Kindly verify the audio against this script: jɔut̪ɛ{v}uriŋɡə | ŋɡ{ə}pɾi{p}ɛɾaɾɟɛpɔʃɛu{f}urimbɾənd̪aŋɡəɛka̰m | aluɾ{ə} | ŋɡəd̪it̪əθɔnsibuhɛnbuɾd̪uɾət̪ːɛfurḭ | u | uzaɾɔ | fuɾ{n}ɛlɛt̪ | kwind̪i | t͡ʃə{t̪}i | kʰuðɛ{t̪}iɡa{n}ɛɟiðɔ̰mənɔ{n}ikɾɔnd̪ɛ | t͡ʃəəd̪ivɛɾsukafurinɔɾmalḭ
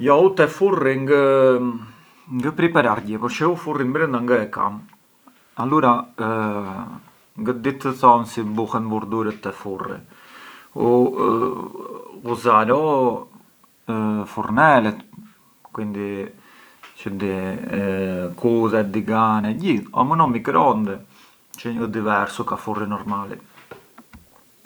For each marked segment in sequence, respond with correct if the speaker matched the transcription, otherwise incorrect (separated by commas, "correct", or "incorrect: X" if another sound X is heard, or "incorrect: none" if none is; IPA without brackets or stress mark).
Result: incorrect: f, correct, correct, correct, incorrect: a, correct, incorrect: d̪, incorrect: d̪, correct, incorrect: m